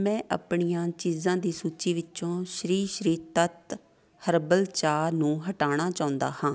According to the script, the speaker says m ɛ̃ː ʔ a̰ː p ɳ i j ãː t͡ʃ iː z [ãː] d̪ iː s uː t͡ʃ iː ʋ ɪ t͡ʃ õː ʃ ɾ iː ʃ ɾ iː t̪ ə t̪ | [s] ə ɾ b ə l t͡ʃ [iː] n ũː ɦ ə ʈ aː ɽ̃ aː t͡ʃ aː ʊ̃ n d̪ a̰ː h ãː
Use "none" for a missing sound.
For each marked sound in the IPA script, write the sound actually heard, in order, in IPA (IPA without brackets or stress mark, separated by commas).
ãː, h, aː